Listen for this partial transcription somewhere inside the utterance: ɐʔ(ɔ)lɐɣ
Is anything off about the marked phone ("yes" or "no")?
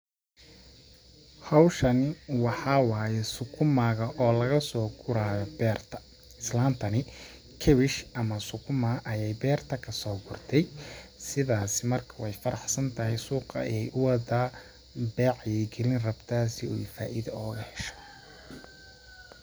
yes